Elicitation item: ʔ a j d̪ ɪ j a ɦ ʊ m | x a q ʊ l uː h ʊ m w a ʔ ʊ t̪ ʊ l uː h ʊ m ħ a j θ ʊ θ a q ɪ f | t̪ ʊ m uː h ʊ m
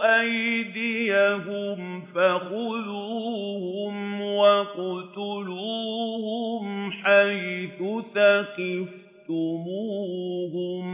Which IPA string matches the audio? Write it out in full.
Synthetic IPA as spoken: ʔ a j d̪ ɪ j a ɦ ʊ m | f a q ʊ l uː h ʊ m w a q ʊ t̪ ʊ l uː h ʊ m ħ a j θ ʊ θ a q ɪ f | t̪ ʊ m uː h ʊ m